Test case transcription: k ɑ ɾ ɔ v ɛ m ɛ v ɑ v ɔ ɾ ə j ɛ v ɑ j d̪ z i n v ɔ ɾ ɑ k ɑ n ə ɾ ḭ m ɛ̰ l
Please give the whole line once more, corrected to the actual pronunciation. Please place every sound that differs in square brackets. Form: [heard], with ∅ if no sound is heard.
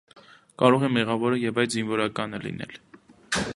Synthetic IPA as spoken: k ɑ ɾ ɔ [ʁ] ɛ m ɛ [ʁ] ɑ v ɔ ɾ ə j ɛ v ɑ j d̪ z i n v ɔ ɾ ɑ k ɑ n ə [l] ḭ [n] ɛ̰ l

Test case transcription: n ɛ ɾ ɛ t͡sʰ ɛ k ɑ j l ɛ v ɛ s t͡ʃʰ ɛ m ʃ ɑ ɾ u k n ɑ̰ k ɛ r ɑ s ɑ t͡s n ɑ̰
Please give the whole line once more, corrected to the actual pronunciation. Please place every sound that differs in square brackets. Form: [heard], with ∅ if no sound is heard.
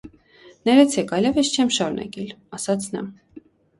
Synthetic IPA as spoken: n ɛ ɾ ɛ t͡sʰ ɛ k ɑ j l ɛ v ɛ s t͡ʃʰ ɛ m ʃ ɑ ɾ u [∅] n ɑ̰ k ɛ [l] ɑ s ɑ [t͡sʰ] n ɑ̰

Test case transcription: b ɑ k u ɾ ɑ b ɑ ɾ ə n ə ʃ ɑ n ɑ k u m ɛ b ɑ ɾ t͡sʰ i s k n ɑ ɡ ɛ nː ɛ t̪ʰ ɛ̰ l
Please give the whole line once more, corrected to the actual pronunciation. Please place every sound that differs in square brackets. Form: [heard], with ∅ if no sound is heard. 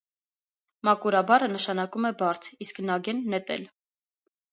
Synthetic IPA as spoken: [m] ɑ k u ɾ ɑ b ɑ ɾ ə n ə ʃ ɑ n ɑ k u m ɛ b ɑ ɾ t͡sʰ i s k n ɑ ɡ ɛ nː ɛ [t̪] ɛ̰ l

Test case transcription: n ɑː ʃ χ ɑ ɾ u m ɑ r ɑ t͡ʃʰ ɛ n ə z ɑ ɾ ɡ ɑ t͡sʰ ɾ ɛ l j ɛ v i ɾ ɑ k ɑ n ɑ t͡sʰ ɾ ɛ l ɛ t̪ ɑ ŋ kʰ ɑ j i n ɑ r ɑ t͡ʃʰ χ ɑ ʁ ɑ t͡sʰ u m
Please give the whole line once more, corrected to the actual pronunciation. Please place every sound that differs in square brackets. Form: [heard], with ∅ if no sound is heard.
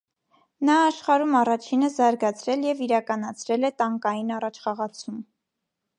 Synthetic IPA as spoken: n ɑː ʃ χ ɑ ɾ u m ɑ r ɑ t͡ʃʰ [i] n ə z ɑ ɾ ɡ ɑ t͡sʰ ɾ ɛ l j ɛ v i ɾ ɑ k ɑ n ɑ t͡sʰ ɾ ɛ l ɛ t̪ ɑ ŋ [k] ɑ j i n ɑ r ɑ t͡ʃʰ χ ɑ ʁ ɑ t͡sʰ u m

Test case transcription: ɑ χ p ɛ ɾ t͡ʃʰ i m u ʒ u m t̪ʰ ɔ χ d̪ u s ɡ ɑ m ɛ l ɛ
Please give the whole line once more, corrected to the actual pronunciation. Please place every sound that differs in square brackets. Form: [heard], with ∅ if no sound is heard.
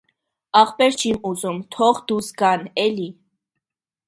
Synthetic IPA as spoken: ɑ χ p ɛ ɾ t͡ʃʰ i m u [z] u m t̪ʰ ɔ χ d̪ u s ɡ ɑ [n] ɛ l [i]

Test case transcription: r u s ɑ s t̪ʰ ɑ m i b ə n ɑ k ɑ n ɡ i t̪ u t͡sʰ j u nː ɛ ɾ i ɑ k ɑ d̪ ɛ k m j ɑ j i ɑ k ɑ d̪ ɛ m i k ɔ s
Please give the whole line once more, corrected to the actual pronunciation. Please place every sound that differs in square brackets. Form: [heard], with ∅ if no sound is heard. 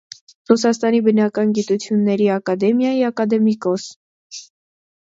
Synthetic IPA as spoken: r u s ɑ s [t̪] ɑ [n] i b ə n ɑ k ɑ n ɡ i t̪ u t͡sʰ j u nː ɛ ɾ i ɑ k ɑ d̪ ɛ [∅] m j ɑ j i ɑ k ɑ d̪ ɛ m i k ɔ s

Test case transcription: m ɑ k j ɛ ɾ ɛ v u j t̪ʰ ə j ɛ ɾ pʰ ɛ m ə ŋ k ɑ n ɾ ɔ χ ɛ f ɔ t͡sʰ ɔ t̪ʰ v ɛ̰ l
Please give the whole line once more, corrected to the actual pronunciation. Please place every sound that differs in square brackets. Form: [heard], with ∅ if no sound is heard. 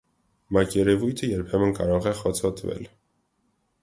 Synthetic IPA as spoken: m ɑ k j ɛ ɾ ɛ v u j t̪ʰ ə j ɛ ɾ pʰ ɛ m ə [n] k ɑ [∅] ɾ ɔ [ʁ] ɛ [χ] ɔ t͡sʰ ɔ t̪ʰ v ɛ̰ l

